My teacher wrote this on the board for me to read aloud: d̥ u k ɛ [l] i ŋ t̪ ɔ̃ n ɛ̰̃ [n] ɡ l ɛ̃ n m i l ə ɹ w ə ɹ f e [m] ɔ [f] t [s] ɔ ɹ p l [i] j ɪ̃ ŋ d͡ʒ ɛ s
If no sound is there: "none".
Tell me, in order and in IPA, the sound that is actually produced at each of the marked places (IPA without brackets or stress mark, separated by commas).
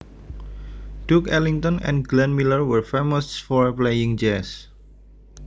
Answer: l, n, m, s, f, e